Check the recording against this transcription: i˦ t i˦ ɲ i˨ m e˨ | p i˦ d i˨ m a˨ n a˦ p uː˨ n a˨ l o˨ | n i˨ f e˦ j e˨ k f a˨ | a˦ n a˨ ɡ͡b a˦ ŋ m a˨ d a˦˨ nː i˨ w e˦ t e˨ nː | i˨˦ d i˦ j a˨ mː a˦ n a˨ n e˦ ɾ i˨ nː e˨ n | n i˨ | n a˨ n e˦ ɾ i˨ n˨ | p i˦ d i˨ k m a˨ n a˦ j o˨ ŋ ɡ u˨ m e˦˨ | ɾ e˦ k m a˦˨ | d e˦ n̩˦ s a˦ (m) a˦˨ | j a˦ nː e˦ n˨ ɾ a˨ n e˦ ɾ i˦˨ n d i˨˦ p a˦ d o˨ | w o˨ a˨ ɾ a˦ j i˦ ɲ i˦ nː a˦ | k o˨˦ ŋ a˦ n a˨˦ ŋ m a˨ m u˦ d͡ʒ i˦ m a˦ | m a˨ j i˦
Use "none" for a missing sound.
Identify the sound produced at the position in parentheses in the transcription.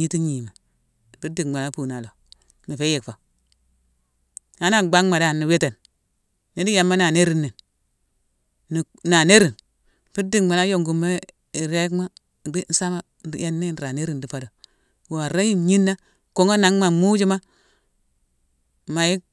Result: m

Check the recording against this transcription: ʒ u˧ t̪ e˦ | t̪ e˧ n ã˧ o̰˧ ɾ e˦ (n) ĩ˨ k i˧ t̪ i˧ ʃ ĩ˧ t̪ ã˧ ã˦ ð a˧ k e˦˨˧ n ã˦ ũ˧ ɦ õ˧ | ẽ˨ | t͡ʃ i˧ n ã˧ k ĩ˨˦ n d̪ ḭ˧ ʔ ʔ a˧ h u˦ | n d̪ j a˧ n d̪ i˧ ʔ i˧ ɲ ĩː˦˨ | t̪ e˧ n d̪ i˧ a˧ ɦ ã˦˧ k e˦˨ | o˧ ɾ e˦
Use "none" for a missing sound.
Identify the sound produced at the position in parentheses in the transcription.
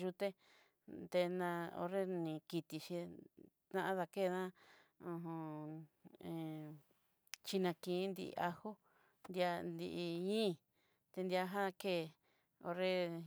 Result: n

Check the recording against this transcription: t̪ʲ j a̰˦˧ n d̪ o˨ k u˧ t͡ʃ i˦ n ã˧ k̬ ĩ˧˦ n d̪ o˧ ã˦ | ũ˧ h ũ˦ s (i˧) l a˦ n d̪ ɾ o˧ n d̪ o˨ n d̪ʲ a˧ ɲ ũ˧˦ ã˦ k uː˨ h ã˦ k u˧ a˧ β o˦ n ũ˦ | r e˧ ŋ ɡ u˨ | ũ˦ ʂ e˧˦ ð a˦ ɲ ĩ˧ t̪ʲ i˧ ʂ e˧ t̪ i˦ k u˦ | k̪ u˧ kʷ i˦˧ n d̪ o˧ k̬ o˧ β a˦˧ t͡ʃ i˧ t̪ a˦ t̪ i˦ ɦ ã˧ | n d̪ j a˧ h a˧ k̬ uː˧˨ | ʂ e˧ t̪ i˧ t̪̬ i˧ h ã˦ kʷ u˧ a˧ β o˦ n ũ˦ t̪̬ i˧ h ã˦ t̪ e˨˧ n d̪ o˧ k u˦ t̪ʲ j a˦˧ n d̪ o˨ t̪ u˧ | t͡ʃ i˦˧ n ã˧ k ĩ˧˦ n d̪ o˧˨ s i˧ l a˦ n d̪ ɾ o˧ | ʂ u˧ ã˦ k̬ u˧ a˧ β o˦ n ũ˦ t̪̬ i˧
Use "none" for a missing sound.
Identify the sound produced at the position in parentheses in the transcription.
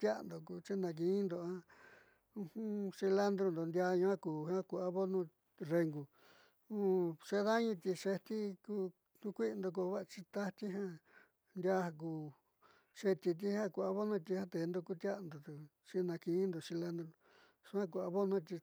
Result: i˧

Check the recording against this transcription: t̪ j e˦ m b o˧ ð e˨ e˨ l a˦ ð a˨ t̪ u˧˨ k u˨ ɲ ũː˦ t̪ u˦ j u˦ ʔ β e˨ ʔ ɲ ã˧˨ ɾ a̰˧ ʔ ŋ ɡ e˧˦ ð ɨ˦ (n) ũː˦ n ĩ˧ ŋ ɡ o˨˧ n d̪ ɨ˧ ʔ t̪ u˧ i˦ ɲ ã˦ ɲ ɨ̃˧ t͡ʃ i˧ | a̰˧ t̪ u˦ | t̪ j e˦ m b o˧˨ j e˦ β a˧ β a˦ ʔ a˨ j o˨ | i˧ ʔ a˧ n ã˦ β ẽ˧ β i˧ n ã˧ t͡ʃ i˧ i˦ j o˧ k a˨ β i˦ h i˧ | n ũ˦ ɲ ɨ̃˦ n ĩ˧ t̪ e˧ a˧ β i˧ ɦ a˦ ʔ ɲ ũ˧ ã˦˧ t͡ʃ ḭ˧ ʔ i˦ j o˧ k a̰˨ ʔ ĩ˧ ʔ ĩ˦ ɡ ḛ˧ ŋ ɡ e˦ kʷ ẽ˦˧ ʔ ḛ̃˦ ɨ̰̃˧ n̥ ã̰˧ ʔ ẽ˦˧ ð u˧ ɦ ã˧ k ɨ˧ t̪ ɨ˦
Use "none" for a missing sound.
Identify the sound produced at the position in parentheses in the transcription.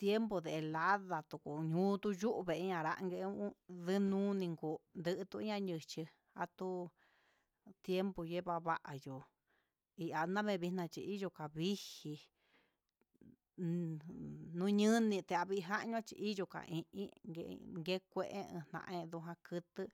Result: n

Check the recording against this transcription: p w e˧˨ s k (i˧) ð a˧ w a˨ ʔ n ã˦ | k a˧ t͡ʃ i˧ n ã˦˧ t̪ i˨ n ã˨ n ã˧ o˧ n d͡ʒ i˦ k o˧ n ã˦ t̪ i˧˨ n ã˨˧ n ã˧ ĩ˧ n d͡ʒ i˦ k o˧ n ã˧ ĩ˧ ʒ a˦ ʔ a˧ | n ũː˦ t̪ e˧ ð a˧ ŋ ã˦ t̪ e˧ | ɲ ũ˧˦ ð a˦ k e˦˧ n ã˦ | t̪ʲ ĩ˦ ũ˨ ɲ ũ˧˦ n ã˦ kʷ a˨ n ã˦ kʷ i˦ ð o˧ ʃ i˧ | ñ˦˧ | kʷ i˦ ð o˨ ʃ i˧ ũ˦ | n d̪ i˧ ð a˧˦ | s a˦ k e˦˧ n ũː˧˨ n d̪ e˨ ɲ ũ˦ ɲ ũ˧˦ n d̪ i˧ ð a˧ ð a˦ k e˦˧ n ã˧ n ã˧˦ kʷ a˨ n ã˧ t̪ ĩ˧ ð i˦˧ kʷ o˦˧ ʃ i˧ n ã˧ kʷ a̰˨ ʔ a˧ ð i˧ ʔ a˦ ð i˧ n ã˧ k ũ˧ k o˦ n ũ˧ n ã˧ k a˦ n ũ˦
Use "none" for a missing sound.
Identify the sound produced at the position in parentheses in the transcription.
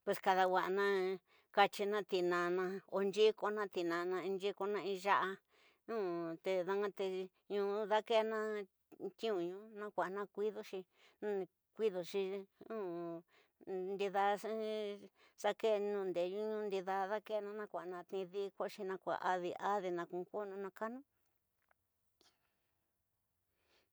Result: a˧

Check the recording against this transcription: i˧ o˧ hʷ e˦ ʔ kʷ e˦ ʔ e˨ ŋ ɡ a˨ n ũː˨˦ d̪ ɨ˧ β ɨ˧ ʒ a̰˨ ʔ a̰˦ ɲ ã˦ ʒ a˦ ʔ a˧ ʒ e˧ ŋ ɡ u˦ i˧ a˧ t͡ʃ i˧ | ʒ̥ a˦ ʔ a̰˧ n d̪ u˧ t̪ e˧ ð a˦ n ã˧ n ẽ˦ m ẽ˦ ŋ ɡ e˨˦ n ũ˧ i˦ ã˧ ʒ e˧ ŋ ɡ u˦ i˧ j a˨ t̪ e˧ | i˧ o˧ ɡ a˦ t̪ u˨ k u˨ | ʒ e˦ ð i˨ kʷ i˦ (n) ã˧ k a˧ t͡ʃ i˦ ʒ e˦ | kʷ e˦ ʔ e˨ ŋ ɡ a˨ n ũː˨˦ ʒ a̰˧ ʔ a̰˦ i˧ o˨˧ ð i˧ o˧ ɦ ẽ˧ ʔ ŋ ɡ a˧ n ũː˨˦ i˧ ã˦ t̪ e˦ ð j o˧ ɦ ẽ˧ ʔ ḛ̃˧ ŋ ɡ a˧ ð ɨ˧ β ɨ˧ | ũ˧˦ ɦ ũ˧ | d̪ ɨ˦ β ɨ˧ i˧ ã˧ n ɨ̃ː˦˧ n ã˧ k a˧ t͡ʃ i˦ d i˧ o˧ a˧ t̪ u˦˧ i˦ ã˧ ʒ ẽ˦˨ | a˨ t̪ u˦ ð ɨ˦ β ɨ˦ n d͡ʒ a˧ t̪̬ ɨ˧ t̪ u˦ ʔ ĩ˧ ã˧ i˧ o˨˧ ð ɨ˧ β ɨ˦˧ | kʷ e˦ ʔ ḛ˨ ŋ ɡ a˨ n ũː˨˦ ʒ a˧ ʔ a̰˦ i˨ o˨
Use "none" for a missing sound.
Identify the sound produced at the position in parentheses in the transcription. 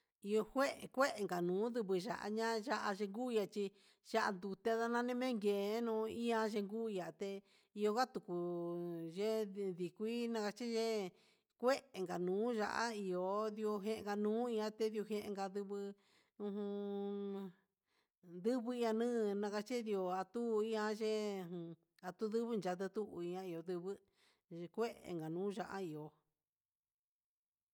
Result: n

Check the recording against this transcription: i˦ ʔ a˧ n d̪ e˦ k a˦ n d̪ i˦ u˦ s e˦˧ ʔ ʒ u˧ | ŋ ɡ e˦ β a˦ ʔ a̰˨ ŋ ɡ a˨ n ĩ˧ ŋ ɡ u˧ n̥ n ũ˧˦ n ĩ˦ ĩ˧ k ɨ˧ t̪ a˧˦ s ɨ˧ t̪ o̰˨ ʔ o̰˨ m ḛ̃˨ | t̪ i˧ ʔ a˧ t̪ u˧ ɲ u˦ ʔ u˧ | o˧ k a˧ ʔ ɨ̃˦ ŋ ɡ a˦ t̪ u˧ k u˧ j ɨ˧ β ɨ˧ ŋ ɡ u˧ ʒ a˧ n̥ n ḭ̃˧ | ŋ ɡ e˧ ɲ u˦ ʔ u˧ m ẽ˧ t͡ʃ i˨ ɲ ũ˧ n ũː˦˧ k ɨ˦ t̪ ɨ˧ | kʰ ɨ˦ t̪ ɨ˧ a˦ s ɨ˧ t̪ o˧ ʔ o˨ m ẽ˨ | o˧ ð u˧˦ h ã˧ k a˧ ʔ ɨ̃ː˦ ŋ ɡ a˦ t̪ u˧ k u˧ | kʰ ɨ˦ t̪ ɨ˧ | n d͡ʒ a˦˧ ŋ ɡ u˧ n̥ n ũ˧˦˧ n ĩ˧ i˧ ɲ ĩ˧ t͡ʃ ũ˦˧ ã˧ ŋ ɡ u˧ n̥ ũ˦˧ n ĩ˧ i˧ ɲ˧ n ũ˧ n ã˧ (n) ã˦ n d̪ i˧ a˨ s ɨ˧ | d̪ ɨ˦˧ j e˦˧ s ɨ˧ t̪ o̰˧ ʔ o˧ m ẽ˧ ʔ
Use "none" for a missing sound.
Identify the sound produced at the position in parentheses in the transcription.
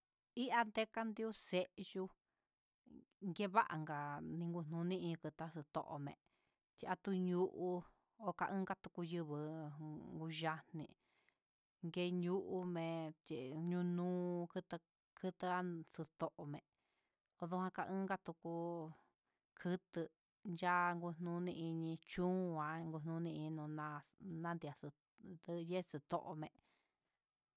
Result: n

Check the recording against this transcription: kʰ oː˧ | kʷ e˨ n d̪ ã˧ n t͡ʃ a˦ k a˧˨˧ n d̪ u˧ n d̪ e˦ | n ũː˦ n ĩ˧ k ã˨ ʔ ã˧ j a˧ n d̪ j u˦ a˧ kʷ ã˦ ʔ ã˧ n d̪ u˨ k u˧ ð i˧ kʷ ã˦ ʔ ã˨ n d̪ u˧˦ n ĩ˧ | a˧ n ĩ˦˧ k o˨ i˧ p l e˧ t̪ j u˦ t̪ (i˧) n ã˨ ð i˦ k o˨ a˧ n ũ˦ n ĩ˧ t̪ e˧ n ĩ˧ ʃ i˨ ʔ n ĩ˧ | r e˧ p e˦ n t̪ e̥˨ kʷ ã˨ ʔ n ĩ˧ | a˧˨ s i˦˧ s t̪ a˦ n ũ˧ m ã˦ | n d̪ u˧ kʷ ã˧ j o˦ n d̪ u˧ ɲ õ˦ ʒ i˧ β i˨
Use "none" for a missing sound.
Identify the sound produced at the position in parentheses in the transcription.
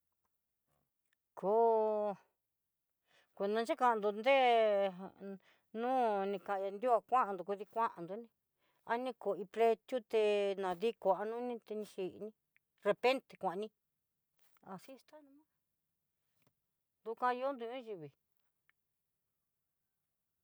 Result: e˧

